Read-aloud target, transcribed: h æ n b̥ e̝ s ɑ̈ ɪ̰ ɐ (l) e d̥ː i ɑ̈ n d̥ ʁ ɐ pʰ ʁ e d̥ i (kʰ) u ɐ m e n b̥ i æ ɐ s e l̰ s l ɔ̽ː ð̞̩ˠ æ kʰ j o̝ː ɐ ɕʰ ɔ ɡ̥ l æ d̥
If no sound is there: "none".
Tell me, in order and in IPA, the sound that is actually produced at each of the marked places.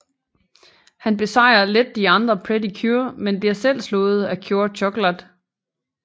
l, kʰ

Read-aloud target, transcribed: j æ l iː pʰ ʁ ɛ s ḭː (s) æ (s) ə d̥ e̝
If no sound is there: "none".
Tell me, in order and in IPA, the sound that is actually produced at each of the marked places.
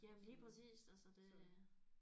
s, s

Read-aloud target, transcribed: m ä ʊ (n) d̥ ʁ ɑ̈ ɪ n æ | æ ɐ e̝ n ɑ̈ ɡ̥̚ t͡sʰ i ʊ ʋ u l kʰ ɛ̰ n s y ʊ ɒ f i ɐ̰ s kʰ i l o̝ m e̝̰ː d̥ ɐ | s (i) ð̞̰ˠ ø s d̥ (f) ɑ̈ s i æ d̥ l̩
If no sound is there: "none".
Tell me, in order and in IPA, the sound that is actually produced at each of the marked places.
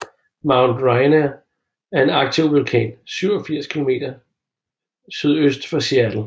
n, y, f

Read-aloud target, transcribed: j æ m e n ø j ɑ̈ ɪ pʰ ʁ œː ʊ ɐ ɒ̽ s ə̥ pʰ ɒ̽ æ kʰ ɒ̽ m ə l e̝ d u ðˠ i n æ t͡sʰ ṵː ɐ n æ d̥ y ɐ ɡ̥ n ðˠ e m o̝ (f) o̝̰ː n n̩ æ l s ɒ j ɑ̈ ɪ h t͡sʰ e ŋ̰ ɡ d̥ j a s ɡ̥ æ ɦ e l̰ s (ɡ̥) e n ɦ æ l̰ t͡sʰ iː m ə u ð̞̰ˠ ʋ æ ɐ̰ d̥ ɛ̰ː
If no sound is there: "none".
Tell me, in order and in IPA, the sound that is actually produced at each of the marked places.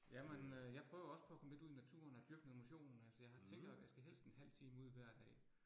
ɕ, d̥

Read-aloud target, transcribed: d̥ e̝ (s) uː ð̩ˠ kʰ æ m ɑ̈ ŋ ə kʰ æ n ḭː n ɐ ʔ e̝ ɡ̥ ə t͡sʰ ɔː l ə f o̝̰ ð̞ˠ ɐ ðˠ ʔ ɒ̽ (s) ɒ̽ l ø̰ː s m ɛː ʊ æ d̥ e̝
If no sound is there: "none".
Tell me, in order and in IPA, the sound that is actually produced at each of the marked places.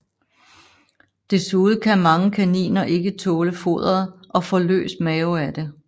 s, f

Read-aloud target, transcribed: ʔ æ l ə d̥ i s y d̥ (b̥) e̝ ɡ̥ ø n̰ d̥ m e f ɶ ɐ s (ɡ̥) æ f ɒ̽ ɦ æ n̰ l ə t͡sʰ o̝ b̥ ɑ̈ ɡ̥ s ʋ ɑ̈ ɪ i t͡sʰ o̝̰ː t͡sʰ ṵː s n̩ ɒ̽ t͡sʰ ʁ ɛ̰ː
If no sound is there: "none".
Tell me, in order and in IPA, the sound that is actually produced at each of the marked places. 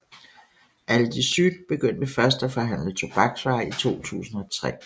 b̥, d̥

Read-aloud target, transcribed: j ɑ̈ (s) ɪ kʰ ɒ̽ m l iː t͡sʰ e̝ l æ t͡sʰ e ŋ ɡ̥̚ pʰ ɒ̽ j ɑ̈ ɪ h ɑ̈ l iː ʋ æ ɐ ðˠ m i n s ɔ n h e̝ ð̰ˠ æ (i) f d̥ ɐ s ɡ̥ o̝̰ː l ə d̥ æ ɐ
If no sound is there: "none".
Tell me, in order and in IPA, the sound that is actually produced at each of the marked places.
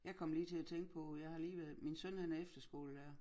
none, e

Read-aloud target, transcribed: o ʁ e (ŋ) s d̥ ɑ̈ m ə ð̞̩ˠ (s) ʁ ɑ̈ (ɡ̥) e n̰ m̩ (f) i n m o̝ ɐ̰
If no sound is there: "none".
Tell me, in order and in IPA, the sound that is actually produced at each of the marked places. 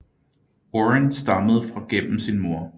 n, f, ɡ̥, s

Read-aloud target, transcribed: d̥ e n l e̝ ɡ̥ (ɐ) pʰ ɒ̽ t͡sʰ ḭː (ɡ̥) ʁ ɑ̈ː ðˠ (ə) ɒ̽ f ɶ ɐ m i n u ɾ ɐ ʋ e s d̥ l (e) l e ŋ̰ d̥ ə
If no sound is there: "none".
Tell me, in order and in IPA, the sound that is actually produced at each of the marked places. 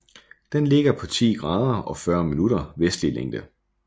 ɐ, ɡ̥, ɐ, i

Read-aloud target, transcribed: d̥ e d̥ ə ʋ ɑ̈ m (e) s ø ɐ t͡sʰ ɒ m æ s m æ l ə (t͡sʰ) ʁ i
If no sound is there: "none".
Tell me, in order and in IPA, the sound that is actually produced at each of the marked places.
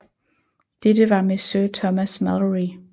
e, none

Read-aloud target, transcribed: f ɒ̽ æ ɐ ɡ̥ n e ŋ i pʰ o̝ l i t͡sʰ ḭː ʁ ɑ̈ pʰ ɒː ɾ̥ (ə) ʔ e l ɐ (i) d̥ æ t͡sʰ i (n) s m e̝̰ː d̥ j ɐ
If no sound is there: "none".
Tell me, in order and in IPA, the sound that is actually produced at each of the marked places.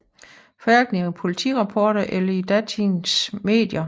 ɐ, i, n

